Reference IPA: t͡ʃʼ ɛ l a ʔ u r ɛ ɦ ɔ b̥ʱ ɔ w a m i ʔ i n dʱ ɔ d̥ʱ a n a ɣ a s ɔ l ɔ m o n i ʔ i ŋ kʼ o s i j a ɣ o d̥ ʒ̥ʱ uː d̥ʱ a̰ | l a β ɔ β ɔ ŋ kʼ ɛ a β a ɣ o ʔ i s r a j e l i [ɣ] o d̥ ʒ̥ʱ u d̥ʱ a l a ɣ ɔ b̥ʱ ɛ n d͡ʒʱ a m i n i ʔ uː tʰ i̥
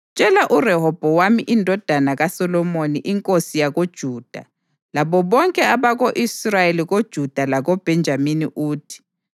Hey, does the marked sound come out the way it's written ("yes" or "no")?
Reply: yes